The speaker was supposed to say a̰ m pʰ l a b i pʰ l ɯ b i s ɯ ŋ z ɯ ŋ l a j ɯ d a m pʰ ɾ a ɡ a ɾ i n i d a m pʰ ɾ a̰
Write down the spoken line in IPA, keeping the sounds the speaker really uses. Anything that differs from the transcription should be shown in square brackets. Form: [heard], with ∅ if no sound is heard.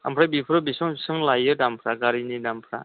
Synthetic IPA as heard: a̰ m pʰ [ɾ] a b i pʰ [ɾ] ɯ b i s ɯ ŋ [s] ɯ ŋ l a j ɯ d a m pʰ ɾ a ɡ a ɾ i n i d a m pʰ ɾ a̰